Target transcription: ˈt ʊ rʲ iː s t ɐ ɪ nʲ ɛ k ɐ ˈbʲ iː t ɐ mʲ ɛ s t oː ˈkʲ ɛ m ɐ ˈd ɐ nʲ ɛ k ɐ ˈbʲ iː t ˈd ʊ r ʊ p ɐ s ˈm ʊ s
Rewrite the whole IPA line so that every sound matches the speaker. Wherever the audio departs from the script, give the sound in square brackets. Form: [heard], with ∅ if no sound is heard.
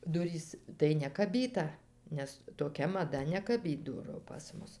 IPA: [ˈd] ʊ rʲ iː s t ɐ ɪ nʲ ɛ k ɐ ˈbʲ iː t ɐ [nʲ] ɛ s t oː ˈkʲ ɛ m ɐ ˈd ɐ nʲ ɛ k ɐ ˈbʲ iː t ˈd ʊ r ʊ p ɐ s ˈm ʊ s